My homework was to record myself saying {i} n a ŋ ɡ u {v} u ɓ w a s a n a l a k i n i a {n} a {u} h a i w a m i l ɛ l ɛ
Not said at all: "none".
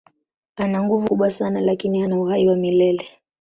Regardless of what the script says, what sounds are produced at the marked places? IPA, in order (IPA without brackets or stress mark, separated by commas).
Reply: a, v, n, u